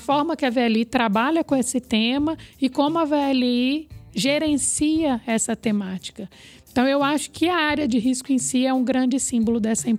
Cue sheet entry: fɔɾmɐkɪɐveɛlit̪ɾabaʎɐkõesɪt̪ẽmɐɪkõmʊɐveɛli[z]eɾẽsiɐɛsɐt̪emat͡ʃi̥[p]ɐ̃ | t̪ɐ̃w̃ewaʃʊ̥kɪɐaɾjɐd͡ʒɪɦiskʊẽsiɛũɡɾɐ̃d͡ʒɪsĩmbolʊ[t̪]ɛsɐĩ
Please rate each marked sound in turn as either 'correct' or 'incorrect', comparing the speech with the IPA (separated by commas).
incorrect, incorrect, incorrect